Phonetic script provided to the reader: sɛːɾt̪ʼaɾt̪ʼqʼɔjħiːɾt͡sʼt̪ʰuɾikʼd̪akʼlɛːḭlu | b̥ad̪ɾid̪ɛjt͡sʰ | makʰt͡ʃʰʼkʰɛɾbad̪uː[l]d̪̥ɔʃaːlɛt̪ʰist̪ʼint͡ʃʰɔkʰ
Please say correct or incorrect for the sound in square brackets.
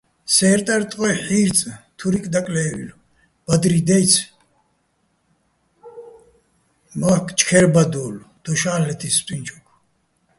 correct